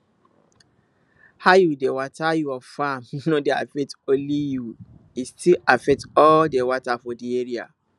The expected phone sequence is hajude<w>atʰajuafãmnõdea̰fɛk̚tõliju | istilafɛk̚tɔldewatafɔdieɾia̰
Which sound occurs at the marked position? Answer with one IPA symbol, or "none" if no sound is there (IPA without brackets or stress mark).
w